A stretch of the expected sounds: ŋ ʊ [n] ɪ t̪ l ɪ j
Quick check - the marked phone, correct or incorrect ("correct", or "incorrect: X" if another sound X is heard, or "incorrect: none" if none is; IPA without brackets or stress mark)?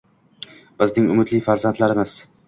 incorrect: m